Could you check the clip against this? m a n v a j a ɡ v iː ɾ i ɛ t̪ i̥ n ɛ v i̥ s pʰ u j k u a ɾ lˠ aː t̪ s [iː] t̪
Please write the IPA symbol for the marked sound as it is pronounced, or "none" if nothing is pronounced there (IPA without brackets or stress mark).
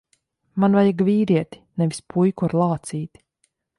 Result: iː